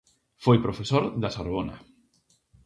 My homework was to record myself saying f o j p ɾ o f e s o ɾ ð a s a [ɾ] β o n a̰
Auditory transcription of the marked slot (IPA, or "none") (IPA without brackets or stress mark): ɾ